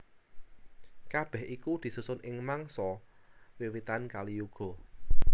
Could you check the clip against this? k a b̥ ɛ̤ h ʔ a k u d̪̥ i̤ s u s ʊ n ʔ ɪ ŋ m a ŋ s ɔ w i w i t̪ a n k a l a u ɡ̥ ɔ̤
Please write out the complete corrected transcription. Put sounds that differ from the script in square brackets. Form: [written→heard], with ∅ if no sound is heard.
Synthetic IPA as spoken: k a b̥ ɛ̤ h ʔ [a→i] k u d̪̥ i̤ s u s ʊ n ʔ ɪ ŋ m a ŋ s ɔ w i w i t̪ a n k a l [a→i] u ɡ̥ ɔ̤

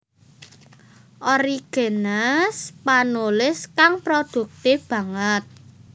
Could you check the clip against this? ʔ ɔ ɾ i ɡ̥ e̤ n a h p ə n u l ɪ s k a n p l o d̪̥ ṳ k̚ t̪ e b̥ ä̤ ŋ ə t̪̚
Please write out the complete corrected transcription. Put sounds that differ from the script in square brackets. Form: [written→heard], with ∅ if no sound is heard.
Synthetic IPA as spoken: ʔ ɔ ɾ i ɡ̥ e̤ n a [h→s] p [ə→a] n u l ɪ s k a [n→ŋ] p [l→ɾ] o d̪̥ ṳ k̚ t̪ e b̥ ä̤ ŋ ə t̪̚

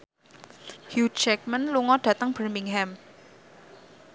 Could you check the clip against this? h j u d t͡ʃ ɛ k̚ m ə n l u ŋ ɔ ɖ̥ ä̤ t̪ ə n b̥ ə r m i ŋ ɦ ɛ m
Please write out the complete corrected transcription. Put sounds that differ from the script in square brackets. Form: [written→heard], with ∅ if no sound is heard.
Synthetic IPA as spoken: h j u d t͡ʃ ɛ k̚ m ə n l u ŋ ɔ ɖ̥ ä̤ t̪ ə [n→ŋ] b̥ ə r m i ŋ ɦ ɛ m

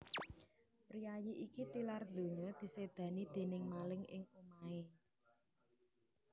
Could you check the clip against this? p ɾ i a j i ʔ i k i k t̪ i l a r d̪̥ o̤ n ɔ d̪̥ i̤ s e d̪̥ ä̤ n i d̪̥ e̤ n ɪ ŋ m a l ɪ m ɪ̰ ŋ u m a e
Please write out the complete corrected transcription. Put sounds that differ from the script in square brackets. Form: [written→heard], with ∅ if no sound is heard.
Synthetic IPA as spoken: p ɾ i a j i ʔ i k i [k→∅] t̪ i l a r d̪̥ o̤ [n→ɲ] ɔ d̪̥ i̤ s e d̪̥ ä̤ n i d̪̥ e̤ n ɪ ŋ m a l ɪ [m→ŋ] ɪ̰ ŋ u m a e

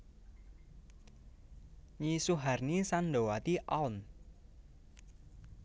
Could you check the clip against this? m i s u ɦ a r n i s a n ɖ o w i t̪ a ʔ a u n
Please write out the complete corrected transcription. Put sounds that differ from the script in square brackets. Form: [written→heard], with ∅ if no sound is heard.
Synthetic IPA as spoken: [m→ɲ] i s u ɦ a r n i s a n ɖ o w [i→a] t̪ [a→i] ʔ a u n

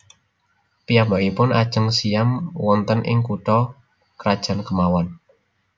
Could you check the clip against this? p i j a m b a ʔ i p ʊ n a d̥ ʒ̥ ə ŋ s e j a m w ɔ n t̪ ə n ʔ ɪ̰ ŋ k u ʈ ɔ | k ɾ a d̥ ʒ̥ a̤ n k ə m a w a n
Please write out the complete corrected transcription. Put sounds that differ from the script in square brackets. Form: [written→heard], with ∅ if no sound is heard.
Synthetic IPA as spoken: p i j a m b a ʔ i p ʊ n a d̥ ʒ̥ ə ŋ s [e→i] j a m w ɔ n t̪ ə n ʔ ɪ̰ ŋ k u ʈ ɔ | k ɾ a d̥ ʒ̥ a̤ n k ə m a w a n

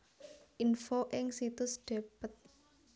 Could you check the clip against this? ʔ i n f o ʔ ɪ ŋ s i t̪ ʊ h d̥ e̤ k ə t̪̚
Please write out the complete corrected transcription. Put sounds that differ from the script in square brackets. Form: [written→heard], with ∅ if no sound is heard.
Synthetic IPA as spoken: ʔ i n f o ʔ ɪ ŋ s i t̪ ʊ [h→s] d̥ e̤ [k→p] ə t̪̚

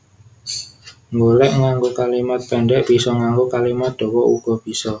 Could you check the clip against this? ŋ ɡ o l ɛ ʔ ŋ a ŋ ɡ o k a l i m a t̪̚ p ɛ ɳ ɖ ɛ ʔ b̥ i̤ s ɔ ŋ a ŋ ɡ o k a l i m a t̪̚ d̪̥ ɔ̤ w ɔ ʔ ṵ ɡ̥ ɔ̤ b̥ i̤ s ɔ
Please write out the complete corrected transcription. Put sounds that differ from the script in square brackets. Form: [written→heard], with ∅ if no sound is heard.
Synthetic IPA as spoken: ŋ ɡ o l ɛ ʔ ŋ a ŋ ɡ o k a l i m a t̪̚ p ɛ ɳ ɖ ɛ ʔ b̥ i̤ s ɔ ŋ a ŋ ɡ o k a l i m a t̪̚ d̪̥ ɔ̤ w ɔ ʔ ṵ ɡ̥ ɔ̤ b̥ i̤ s ɔ

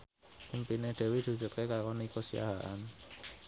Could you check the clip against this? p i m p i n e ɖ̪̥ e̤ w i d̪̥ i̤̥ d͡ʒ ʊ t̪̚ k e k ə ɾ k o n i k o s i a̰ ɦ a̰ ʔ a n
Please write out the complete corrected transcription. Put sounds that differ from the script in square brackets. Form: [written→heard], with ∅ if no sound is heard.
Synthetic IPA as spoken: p i m p i n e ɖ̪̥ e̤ w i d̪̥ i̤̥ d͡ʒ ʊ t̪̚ k e k [ə→a] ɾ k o n i k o s i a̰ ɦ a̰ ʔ a n

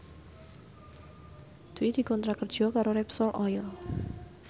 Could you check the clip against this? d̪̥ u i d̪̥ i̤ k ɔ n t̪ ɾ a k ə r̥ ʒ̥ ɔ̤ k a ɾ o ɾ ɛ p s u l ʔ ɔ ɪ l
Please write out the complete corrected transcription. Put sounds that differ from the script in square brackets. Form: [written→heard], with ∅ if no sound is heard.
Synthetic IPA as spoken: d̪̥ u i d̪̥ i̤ k ɔ n t̪ ɾ a k ə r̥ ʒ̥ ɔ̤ k a ɾ o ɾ ɛ p s [u→ɔ] l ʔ ɔ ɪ l

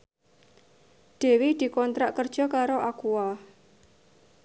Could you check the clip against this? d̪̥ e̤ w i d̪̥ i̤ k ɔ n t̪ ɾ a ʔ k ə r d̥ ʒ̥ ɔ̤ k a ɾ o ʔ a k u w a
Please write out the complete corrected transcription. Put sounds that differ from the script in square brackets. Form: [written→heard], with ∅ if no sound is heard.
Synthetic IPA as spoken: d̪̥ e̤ w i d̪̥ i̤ k ɔ n t̪ ɾ a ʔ k ə r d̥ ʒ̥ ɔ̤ k a ɾ o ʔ a k u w a

